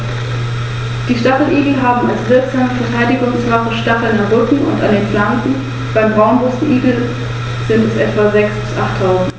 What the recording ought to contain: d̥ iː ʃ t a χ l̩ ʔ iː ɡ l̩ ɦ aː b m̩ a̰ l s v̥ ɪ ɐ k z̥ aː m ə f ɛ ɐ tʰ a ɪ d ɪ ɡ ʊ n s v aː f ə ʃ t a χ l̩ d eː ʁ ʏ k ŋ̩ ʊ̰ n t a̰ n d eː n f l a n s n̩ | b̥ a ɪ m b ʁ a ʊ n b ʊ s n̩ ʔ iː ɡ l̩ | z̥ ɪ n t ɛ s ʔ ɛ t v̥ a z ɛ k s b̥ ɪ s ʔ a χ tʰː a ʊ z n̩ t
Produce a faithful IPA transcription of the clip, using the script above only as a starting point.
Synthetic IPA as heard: d̥ iː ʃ t a χ l̩ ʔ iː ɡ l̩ ɦ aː b m̩ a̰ l s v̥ ɪ ɐ k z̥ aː m ə f ɛ ɐ tʰ a ɪ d ɪ ɡ ʊ ŋ s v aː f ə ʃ t a χ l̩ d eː ʁ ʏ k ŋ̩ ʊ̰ n t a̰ n d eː n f l a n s n̩ | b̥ a ɪ m b ʁ a ʊ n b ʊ s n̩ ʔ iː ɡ l̩ | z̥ ɪ n t ɛ s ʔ ɛ t v̥ a z ɛ k s b̥ ɪ s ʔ a χ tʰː a ʊ z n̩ t